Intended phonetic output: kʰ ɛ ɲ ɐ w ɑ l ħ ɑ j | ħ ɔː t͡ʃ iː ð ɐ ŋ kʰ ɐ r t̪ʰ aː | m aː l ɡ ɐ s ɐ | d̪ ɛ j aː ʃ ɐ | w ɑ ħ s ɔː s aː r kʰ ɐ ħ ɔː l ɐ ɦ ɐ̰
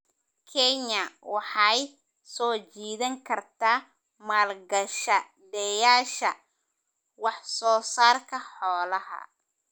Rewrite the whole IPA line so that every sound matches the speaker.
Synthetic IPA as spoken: kʰ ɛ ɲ ɐ w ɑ ħ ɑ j | s ɔː t͡ʃ iː ð ɐ ŋ kʰ ɐ r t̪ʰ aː | m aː l ɡ ɐ ʃ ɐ | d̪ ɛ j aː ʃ ɐ | w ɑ ħ s ɔː s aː r kʰ ɐ ħ ɔː l ɐ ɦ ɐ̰